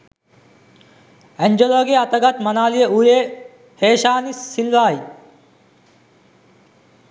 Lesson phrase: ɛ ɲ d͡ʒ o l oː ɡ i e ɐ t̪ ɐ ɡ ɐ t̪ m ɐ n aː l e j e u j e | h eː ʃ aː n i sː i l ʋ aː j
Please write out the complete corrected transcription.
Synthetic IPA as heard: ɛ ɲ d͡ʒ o l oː ɡ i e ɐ t̪ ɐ ɡ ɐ t̪ m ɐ n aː l i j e u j e | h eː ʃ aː n i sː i l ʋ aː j